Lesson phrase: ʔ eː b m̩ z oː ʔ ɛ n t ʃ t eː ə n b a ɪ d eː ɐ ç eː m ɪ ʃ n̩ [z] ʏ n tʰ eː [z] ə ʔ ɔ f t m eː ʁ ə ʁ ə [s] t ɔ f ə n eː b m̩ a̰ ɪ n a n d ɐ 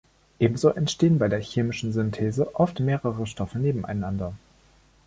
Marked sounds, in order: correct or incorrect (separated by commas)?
correct, correct, incorrect